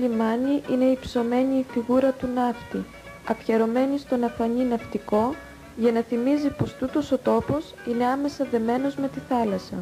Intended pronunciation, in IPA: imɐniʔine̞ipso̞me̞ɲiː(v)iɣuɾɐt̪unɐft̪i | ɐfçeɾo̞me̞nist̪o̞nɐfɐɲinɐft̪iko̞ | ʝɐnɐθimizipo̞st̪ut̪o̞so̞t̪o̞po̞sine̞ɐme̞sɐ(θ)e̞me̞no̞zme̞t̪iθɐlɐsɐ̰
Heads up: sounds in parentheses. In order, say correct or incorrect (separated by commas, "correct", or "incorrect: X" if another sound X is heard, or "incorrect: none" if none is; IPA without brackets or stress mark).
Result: incorrect: f, incorrect: ð